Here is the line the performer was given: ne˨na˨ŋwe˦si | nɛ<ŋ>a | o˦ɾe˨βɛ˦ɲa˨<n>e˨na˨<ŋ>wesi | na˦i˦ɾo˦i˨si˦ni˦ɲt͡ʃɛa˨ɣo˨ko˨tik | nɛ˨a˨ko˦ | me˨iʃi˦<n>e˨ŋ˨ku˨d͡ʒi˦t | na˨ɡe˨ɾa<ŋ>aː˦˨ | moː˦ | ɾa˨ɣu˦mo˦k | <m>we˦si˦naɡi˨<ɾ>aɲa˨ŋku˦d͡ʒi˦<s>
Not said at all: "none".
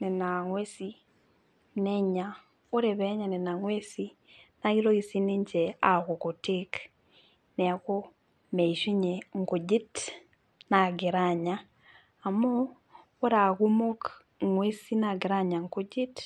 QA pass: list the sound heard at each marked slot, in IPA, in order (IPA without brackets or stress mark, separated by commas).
ɲ, n, ŋ, ɲ, ɲ, ŋ, ɾ, t